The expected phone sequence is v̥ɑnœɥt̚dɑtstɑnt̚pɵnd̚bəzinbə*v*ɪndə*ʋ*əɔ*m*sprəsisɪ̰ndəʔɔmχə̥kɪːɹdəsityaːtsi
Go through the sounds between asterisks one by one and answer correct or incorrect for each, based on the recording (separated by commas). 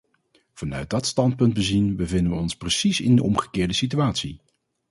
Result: correct, correct, incorrect